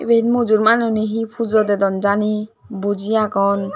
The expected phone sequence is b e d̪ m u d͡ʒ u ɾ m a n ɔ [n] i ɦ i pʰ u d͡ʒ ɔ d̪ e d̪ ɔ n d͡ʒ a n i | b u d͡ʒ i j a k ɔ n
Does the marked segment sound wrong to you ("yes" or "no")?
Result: no